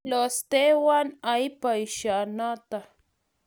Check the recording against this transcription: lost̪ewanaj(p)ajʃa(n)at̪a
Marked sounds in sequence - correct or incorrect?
correct, correct

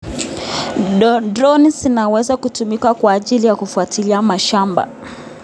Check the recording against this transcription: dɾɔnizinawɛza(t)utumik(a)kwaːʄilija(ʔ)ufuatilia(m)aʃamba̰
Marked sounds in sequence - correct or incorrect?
incorrect: k, correct, incorrect: k, correct

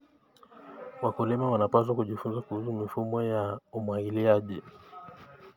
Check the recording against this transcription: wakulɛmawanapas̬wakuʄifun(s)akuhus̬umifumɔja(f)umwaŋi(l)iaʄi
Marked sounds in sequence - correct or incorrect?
incorrect: z, incorrect: none, correct

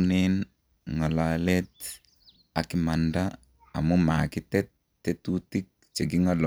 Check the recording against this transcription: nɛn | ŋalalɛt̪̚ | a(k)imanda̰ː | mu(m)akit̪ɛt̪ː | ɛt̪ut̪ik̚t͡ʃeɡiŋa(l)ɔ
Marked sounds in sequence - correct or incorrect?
correct, correct, correct

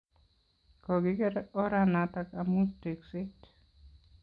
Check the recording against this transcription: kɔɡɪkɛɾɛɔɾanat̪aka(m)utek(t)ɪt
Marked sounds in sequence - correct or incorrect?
correct, incorrect: s

